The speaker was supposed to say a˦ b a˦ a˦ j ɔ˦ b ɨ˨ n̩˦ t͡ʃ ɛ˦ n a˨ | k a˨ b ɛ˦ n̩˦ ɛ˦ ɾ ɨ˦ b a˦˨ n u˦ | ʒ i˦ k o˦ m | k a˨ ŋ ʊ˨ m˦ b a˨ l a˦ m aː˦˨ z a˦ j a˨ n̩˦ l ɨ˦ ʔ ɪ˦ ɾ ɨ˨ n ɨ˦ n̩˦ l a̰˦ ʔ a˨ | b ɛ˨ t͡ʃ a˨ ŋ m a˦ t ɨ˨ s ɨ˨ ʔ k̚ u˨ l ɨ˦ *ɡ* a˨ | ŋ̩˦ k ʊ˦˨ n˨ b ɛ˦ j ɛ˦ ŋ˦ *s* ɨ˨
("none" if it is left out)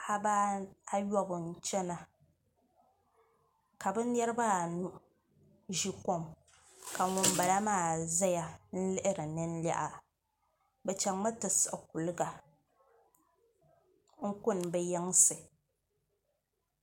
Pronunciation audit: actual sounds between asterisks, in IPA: ɡ, s

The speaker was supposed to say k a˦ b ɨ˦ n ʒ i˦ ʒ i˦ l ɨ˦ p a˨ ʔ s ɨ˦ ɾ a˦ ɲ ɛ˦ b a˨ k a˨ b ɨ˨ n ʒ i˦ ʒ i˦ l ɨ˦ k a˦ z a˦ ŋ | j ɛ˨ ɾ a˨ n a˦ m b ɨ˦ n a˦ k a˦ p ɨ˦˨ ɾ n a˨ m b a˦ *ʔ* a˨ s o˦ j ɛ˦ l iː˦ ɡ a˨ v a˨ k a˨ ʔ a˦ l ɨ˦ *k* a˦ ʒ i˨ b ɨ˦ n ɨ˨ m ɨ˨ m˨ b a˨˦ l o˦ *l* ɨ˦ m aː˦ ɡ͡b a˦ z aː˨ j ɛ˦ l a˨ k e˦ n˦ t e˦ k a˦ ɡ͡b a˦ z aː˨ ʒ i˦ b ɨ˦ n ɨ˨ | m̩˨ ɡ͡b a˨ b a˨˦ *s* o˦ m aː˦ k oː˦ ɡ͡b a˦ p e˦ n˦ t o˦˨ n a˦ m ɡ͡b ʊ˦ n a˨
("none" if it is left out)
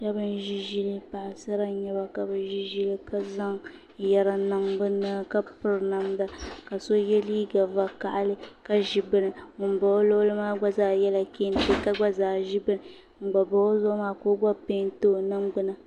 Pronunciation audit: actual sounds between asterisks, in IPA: k, k, l, z

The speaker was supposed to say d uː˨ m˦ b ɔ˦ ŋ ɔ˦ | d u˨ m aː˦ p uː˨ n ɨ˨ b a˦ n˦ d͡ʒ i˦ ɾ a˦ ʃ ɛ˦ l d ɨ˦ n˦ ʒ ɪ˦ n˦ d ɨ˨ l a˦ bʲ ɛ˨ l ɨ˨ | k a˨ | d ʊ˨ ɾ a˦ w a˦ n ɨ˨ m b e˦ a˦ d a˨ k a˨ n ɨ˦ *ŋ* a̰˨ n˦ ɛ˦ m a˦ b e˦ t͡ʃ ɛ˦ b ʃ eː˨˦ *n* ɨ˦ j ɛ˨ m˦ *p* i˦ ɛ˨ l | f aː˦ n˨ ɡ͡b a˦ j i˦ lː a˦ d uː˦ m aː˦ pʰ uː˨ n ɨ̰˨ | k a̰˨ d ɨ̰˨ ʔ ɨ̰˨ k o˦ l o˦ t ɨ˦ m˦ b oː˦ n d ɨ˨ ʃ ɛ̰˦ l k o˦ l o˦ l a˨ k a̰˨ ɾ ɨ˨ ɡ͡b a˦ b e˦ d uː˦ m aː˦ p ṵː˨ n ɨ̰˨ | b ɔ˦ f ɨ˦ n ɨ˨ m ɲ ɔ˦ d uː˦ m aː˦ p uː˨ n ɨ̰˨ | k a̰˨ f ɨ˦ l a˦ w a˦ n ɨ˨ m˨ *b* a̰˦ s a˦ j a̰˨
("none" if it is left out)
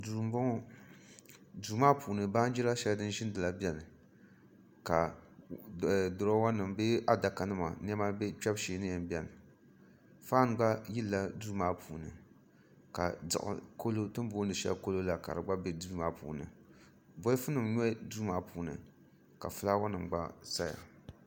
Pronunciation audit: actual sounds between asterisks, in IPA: m, n, b, ɡ͡b

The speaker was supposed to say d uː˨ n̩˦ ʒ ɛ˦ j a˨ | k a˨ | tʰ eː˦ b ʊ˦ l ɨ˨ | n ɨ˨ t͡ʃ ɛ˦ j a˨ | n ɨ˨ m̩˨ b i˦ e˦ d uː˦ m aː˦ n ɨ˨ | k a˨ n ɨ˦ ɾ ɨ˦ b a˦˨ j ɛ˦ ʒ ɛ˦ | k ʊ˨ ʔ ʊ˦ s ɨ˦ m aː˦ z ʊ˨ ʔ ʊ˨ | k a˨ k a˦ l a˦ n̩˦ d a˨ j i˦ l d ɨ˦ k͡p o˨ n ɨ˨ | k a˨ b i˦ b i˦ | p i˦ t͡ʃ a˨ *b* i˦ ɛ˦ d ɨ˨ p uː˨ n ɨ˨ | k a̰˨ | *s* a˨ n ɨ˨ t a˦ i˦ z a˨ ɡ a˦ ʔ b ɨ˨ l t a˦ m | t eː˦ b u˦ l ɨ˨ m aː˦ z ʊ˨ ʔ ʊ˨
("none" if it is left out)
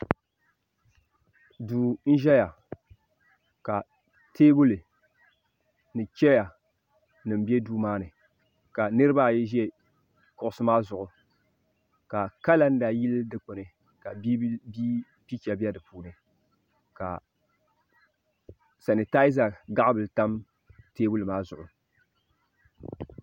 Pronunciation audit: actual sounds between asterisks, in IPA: b, s

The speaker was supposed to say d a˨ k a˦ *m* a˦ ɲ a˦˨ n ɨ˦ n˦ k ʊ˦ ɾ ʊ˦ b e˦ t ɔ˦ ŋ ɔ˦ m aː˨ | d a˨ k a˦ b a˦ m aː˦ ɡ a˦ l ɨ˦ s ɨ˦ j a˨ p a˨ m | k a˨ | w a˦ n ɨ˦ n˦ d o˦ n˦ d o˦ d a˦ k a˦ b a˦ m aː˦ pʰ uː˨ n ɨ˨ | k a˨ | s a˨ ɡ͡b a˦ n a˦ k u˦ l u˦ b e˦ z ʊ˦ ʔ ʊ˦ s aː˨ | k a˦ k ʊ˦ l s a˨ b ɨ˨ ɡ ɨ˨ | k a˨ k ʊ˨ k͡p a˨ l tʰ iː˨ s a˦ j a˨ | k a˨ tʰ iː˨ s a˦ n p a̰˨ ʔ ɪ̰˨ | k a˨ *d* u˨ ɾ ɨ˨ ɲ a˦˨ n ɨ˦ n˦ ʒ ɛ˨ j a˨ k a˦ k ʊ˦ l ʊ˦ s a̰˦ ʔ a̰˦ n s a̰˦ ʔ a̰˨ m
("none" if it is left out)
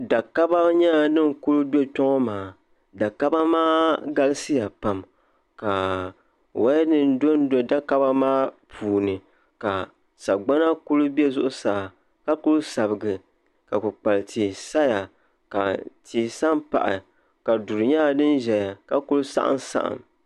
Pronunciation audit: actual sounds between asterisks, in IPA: b, d

